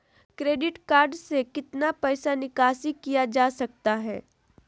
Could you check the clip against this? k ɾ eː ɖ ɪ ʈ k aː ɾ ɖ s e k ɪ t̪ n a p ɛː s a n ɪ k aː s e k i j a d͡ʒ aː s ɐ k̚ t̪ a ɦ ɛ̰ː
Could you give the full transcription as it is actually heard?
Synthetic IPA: k ɾ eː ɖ ɪ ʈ k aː ɾ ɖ s e k ɪ t̪ n a p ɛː s a n ɪ k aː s i k i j a d͡ʒ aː s ɐ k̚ t̪ a ɦ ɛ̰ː